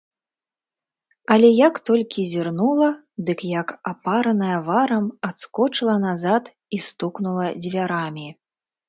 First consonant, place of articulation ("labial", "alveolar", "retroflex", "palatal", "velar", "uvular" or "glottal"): alveolar